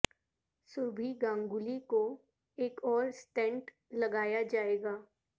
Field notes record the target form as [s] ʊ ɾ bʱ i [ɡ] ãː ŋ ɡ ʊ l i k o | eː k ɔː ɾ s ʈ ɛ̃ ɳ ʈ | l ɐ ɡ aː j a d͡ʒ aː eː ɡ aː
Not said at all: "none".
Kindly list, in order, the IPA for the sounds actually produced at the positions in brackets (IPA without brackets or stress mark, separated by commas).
s, ɡ